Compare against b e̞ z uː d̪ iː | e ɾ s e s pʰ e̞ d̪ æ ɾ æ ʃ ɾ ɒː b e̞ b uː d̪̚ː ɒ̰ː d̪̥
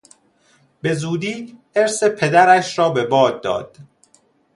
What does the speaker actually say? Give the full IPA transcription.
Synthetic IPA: b e̞ z uː d̪ iː | e ɾ s e pʰ e̞ d̪ æ ɾ æ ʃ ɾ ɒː b e̞ b ɒː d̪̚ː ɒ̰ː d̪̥